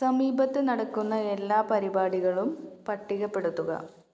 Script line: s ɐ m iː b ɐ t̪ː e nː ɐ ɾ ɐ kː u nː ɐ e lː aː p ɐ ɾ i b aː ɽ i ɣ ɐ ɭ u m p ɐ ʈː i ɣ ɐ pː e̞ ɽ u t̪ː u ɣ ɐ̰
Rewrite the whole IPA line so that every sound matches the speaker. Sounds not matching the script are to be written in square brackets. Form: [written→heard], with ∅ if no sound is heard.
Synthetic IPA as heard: s ɐ m iː b ɐ t̪ː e [nː→n] ɐ [ɾ→ɽ] ɐ kː u nː ɐ e lː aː p ɐ ɾ i b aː ɽ i ɣ ɐ ɭ u m p ɐ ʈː i ɣ ɐ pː e̞ ɽ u t̪ː u ɣ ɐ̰